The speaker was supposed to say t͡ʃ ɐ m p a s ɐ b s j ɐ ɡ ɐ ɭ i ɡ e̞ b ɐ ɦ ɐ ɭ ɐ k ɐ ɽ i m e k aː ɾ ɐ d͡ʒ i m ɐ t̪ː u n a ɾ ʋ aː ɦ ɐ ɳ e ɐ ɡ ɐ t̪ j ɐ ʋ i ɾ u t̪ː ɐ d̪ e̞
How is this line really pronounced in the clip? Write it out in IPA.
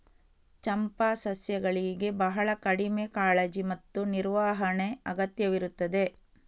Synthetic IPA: t͡ʃ ɐ m p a s ɐ s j ɐ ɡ ɐ ɭ i ɡ e̞ b ɐ ɦ ɐ ɭ ɐ k ɐ ɽ i m e k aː ɭ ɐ d͡ʒ i m ɐ t̪ː u n i ɾ ʋ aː ɦ ɐ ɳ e ɐ ɡ ɐ t̪ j ɐ ʋ i ɾ u t̪ː ɐ d̪ e̞